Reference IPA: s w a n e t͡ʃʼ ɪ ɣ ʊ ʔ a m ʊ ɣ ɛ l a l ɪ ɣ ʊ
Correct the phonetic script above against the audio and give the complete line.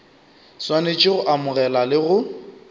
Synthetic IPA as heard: s w a n e t͡ʃʼ ɪ ɣ ʊ ʔ a m ʊ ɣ ɛ l a l ɪ ɣ ʊ